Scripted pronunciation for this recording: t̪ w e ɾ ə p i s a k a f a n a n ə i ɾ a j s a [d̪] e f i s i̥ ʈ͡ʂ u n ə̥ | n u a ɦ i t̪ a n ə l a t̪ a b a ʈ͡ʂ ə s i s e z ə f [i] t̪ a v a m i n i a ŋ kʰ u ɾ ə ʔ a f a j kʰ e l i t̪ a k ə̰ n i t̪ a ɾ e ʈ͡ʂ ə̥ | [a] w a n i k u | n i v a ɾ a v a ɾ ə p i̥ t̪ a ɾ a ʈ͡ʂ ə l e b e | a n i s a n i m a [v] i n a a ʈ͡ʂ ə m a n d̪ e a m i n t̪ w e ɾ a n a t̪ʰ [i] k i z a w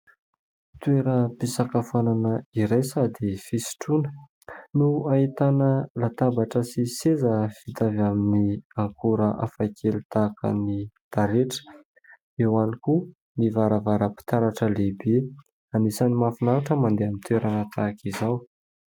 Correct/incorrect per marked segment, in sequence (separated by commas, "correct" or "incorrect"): correct, correct, incorrect, incorrect, incorrect